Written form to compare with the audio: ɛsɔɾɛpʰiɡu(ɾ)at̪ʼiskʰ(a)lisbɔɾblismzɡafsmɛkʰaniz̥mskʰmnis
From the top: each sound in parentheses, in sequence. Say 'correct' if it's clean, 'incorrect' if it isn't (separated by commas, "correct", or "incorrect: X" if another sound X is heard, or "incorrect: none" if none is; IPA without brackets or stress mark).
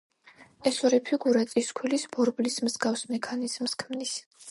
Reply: correct, incorrect: i